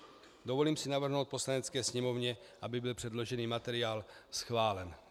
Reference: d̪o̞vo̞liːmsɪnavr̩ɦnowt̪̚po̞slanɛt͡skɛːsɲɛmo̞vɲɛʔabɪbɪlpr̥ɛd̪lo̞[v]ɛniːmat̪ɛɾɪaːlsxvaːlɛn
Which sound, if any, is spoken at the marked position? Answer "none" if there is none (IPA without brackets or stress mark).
ʒ